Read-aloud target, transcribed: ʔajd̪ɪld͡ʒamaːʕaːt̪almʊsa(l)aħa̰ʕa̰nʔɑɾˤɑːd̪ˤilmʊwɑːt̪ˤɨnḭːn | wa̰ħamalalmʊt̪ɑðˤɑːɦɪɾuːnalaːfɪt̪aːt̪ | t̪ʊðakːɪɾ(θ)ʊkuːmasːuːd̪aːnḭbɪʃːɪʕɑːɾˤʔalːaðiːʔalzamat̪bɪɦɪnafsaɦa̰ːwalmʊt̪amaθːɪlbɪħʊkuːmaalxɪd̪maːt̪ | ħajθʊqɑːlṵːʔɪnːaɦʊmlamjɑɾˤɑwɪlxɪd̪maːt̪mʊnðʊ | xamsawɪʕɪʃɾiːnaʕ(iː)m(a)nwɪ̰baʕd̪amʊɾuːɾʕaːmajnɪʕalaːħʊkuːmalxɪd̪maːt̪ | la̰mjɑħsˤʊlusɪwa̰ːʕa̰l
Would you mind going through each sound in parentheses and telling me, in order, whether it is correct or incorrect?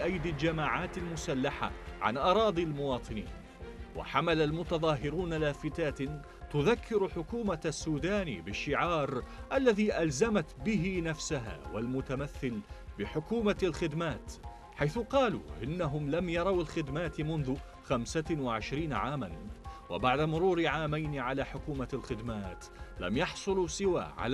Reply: incorrect: lː, incorrect: ħ, incorrect: aː, correct

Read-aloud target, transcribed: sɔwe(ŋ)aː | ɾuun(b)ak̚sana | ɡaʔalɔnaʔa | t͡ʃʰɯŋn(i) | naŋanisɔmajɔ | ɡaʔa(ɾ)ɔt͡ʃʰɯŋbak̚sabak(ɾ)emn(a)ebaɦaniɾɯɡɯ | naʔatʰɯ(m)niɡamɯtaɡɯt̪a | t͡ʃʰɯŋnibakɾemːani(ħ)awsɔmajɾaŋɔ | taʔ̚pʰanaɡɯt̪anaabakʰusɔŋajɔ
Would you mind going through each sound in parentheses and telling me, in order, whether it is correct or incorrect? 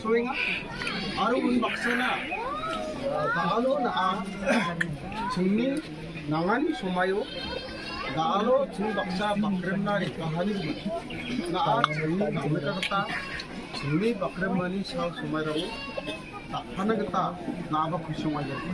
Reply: correct, correct, correct, incorrect: l, correct, correct, incorrect: ŋ, incorrect: s

